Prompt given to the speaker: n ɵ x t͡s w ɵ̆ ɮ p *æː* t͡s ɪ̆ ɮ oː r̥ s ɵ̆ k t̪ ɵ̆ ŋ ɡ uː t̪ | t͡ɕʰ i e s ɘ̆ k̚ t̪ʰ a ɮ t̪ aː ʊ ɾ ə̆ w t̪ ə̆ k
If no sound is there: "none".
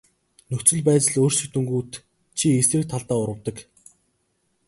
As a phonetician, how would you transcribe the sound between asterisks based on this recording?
æː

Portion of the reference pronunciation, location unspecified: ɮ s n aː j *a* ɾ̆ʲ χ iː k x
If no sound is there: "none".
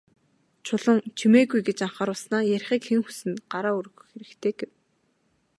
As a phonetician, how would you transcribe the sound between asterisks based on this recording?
æ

